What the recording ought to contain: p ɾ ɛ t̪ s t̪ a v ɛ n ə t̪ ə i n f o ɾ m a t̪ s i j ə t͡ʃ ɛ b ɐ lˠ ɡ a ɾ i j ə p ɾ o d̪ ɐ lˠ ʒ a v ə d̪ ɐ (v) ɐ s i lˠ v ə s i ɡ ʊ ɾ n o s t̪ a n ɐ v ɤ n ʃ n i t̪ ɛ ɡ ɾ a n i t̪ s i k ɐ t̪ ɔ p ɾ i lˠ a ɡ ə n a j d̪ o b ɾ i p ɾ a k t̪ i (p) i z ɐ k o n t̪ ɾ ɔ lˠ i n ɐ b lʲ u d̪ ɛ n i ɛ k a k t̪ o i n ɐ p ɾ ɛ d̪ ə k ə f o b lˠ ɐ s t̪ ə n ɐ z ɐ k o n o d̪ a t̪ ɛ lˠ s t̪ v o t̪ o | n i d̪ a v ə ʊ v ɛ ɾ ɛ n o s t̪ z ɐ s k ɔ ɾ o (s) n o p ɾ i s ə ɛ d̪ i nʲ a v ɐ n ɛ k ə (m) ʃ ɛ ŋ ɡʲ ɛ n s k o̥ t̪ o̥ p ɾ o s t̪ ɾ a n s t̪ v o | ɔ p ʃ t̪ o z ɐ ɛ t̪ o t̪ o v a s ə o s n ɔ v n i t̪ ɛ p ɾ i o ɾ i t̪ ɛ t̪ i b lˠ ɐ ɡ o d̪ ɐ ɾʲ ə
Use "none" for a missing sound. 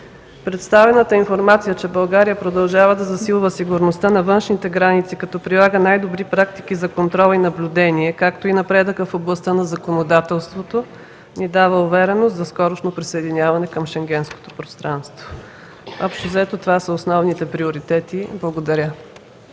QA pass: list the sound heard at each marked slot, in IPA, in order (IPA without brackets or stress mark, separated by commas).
z, k, ʃ, m